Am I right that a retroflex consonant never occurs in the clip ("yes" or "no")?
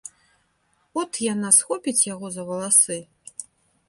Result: yes